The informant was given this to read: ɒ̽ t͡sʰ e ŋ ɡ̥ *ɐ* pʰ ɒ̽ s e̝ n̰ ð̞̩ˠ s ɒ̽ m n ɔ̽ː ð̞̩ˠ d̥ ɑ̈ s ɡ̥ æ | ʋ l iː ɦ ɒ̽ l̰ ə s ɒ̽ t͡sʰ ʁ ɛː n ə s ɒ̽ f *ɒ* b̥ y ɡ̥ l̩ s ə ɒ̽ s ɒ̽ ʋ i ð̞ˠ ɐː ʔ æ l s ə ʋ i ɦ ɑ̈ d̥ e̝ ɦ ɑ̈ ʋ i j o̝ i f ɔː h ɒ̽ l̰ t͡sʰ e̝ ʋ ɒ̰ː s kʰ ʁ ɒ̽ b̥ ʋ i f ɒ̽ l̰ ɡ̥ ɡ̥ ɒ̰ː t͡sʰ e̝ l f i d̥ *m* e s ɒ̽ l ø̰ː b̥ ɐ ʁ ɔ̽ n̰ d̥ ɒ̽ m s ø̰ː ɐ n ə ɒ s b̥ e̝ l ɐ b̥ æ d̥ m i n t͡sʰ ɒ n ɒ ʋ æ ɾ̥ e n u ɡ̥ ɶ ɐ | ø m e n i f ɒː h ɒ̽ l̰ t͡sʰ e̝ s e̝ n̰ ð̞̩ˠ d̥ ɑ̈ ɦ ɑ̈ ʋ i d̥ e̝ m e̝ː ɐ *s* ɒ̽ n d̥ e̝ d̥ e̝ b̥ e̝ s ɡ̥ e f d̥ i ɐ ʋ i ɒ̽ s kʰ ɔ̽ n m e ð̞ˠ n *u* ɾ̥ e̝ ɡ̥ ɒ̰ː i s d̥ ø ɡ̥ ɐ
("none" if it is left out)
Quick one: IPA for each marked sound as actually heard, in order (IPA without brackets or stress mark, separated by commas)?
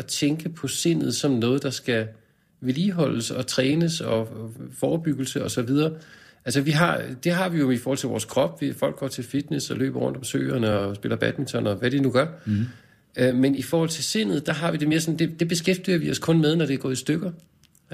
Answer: ə, ɒː, n, s, ɒ